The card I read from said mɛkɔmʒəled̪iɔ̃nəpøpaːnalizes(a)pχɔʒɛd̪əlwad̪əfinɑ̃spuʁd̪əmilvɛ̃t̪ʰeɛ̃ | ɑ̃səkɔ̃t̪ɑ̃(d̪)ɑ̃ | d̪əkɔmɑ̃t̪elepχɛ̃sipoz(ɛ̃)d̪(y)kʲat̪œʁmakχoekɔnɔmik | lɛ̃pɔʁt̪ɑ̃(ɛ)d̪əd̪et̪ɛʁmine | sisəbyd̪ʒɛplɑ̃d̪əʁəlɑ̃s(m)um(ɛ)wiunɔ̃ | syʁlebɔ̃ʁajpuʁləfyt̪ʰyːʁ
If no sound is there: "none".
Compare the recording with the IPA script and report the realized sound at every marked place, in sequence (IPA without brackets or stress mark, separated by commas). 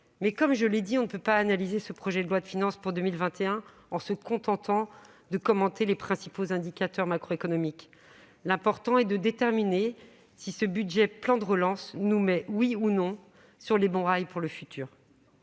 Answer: ə, t̪, ɛ̃, i, ɛ, n, ɛ